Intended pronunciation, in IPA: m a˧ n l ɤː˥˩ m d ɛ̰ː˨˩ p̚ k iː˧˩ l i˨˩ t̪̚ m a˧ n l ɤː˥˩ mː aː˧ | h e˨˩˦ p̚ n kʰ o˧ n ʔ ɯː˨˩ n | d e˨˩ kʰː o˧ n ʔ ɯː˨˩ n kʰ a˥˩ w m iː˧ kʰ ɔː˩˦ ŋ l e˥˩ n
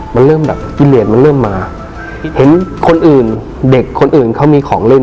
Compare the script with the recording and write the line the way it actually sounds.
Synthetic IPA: m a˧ n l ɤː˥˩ m b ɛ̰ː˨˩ p̚ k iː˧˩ l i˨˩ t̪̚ m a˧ n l ɤː˥˩ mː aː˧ | h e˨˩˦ n kʰ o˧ n ʔ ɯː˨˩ n | d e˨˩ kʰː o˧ n ʔ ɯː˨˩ n kʰ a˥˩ w m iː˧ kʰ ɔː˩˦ ŋ l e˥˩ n